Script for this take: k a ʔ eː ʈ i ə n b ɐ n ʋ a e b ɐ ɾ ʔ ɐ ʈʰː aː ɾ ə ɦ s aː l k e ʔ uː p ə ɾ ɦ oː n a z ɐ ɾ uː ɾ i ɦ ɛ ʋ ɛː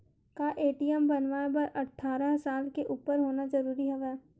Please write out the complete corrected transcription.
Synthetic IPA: k a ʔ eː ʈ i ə m b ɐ n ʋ a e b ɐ ɾ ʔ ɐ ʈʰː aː ɾ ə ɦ s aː l k e ʔ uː p ə ɾ ɦ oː n a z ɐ ɾ uː ɾ i ɦ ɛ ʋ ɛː